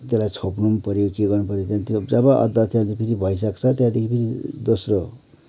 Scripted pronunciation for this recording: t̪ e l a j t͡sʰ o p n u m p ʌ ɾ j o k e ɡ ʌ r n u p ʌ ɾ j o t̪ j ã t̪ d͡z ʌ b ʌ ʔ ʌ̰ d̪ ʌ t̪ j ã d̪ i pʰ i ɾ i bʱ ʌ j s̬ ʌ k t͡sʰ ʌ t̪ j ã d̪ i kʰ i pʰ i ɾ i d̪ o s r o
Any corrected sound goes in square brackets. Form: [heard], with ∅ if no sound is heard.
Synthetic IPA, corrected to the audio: t̪ e l a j t͡sʰ o p n u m p ʌ ɾ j o k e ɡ ʌ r n u p ʌ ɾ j o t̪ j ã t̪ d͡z ʌ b ʌ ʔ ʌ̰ d̪ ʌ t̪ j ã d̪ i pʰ i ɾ i bʱ ʌ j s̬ ʌ k t͡sʰ ʌ t̪ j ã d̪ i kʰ i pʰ i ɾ i d̪ o s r o